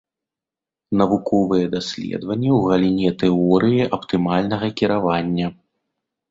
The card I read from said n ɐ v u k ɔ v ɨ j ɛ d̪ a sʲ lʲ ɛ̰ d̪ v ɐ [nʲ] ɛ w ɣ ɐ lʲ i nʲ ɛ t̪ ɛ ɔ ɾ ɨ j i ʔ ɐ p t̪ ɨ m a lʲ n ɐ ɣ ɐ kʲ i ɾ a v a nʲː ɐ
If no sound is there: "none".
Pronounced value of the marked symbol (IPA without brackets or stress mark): nʲː